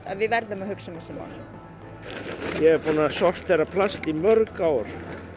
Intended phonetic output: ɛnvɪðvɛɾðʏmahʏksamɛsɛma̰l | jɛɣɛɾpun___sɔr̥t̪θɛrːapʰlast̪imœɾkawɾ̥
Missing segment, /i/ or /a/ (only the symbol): a